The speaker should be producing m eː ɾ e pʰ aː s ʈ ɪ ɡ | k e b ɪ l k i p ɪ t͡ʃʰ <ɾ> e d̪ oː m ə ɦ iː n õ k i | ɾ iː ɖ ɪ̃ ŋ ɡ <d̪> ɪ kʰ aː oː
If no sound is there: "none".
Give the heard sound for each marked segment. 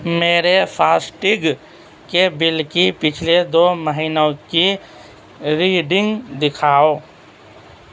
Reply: l, d̪

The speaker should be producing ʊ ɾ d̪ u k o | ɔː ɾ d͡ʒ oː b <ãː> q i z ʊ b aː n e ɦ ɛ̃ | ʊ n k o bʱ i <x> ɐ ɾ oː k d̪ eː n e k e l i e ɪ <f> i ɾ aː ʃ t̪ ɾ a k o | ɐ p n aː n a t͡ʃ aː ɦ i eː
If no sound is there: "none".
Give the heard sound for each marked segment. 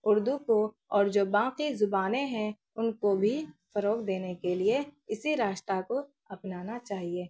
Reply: ãː, f, s

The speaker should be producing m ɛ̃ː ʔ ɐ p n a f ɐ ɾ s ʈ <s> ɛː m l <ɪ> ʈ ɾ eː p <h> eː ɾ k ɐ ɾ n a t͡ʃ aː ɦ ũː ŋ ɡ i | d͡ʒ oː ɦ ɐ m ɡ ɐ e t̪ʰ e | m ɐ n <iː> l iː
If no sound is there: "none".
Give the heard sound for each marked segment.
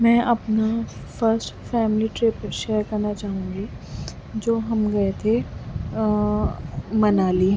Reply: f, i, ʃ, aː

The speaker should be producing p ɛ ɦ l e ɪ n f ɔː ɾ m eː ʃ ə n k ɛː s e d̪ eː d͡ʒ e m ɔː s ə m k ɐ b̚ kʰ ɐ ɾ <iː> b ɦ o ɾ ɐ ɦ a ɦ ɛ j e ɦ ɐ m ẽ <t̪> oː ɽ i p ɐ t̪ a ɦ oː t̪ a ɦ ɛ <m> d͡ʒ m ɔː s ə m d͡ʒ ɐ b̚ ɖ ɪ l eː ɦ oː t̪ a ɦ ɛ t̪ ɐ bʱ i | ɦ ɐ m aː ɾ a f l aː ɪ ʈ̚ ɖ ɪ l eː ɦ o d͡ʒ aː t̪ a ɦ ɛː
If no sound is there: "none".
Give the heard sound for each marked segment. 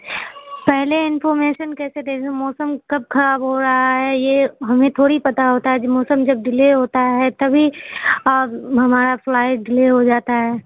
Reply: aː, t̪ʰ, none

